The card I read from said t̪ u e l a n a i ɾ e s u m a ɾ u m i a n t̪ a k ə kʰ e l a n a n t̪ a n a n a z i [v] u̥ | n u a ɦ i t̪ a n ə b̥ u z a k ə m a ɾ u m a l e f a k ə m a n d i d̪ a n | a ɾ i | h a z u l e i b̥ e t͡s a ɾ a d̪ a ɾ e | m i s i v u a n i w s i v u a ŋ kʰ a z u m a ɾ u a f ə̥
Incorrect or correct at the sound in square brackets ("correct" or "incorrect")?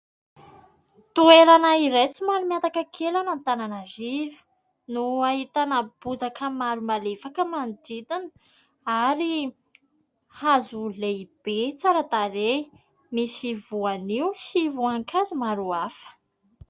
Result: correct